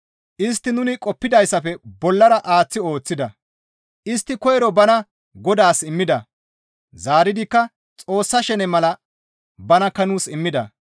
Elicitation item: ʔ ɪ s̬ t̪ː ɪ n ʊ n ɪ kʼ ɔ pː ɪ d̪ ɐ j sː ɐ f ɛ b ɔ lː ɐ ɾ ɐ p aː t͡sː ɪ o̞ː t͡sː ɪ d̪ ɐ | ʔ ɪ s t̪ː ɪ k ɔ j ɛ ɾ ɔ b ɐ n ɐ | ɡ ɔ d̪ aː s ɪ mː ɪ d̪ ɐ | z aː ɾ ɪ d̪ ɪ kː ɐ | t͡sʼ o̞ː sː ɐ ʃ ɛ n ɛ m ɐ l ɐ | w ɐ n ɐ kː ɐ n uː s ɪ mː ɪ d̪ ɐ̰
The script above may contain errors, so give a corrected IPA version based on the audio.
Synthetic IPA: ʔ ɪ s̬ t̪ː ɪ n ʊ n ɪ kʼ ɔ pː ɪ d̪ ɐ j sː ɐ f ɛ b ɔ lː ɐ ɾ ɐ ʔ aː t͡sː ɪ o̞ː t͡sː ɪ d̪ ɐ | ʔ ɪ s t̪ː ɪ k ɔ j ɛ ɾ ɔ b ɐ n ɐ | ɡ ɔ d̪ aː s ɪ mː ɪ d̪ ɐ | z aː ɾ ɪ d̪ ɪ kː ɐ | t͡sʼ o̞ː sː ɐ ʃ ɛ n ɛ m ɐ l ɐ | b ɐ n ɐ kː ɐ n uː s ɪ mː ɪ d̪ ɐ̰